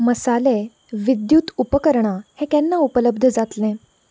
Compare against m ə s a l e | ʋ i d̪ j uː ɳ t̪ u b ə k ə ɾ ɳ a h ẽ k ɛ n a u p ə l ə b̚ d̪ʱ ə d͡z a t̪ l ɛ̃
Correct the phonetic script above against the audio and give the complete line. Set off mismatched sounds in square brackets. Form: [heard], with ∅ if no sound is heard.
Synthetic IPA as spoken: m ə s a l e | ʋ i d̪ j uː [∅] t̪ u [p] ə k ə ɾ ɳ a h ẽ k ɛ [nː] a u p ə l ə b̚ d̪ʱ ə d͡z a t̪ l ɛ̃